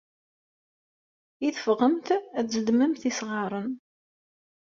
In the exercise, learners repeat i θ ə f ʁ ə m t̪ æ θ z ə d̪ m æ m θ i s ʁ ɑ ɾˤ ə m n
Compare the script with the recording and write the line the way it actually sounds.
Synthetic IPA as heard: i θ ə f ʁ ə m t̪ æ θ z ə d̪ m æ m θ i s ʁ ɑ ɾˤ ə n